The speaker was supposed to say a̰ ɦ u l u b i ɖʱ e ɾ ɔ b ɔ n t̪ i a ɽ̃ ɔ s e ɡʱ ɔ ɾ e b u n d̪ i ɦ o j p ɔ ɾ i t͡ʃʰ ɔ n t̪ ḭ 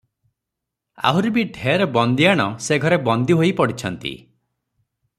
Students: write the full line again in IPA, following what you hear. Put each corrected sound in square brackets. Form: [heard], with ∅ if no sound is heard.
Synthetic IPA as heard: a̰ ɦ u [ɾ] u b i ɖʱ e ɾ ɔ b ɔ n [d̪] i a ɽ̃ ɔ s e ɡʱ ɔ ɾ e b [ɔ] n d̪ i ɦ o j p ɔ [ɽ] i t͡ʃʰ ɔ n t̪ ḭ

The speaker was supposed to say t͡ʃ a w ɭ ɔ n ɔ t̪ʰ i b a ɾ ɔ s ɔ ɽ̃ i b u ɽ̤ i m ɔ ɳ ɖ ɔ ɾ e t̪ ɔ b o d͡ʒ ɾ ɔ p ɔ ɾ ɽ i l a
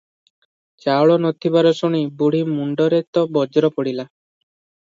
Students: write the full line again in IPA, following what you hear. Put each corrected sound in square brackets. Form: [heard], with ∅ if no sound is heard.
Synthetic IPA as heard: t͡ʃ a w ɭ ɔ n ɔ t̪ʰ i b a ɾ ɔ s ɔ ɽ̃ i b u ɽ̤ i m [u] ɳ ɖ ɔ ɾ e t̪ ɔ b [ɔ] d͡ʒ ɾ ɔ p ɔ [∅] ɽ i l a

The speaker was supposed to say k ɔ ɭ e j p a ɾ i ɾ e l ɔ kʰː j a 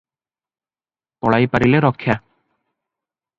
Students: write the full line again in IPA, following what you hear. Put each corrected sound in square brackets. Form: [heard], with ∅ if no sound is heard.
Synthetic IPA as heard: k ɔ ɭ [a] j p a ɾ i [l] e [ɾ] ɔ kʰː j a

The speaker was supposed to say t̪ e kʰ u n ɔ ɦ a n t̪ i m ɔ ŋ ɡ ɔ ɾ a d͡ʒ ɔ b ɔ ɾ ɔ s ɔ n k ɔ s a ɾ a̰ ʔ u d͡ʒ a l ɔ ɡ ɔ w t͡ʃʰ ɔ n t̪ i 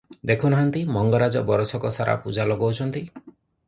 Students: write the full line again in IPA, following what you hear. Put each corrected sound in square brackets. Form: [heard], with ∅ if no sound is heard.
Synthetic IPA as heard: [d̪] e kʰ u n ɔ ɦ a n t̪ i m ɔ ŋ ɡ ɔ ɾ a d͡ʒ ɔ b ɔ ɾ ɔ s ɔ [∅] k ɔ s a ɾ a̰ [p] u d͡ʒ a l ɔ ɡ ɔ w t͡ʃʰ ɔ n t̪ i

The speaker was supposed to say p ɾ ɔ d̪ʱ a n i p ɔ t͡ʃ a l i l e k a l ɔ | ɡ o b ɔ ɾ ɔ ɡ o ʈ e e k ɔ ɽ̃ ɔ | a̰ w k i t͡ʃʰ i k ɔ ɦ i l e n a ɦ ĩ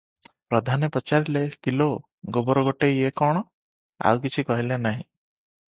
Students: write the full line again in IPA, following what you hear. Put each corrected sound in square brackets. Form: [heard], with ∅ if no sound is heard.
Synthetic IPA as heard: p ɾ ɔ d̪ʱ a n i p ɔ t͡ʃ a [ɾ] i l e k [i] l [o] | ɡ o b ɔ ɾ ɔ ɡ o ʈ e e k ɔ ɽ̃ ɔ | a̰ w k i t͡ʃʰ i k ɔ ɦ i l e n a ɦ ĩ

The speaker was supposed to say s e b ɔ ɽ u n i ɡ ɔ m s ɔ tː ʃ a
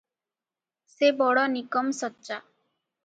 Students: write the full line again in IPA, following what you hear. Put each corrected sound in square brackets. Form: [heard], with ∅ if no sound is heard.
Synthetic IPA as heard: s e b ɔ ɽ [ɔ] n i [k] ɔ m s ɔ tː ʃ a

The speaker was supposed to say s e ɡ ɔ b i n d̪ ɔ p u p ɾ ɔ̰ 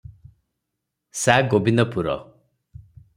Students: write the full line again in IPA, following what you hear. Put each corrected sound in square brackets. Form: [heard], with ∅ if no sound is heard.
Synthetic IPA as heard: s [a] ɡ [o] b i n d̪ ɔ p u [∅] ɾ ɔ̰

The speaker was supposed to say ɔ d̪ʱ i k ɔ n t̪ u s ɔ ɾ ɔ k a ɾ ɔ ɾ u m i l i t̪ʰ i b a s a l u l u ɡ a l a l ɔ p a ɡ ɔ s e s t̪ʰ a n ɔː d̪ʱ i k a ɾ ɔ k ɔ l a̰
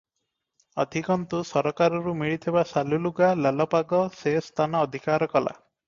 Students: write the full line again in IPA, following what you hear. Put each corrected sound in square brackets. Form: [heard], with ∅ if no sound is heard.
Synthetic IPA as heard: ɔ d̪ʱ i k ɔ n t̪ u s ɔ ɾ ɔ k a ɾ ɔ ɾ u m i [ɭ] i t̪ʰ i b a s a l u l u ɡ a l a l ɔ p a ɡ ɔ s e s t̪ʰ a n ɔː d̪ʱ i k a ɾ ɔ k ɔ l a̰

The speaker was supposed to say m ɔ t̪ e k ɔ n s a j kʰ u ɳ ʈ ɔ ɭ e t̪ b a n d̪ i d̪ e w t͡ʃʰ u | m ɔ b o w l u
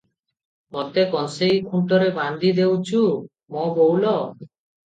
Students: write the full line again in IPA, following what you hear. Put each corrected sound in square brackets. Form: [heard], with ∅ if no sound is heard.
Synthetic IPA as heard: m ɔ t̪ e k ɔ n s [e] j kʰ u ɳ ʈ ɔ [ɾ] e [∅] b a n d̪ i d̪ e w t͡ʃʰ u | m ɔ b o w l [ɔ]

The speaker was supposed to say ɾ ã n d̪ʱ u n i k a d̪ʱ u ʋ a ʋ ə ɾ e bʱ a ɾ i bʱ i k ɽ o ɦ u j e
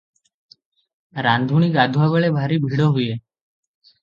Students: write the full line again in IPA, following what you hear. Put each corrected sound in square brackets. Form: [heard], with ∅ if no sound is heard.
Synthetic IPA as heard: ɾ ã n d̪ʱ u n i k a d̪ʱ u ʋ a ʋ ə [ɭ] e bʱ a ɾ i bʱ i [∅] ɽ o ɦ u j e

